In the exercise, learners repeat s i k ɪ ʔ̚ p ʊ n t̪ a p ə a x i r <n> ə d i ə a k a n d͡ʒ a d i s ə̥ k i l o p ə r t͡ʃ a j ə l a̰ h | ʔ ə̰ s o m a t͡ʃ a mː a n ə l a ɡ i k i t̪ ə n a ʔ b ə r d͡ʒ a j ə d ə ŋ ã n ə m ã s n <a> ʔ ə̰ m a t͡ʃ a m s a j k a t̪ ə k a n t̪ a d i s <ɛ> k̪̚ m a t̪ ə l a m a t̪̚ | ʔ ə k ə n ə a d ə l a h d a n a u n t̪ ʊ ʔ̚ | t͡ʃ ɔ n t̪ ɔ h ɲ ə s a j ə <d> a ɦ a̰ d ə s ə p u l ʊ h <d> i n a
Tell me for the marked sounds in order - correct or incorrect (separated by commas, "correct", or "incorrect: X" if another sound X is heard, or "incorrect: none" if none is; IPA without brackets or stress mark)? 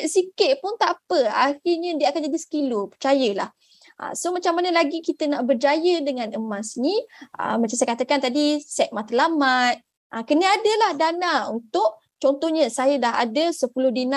incorrect: ɲ, incorrect: i, correct, correct, correct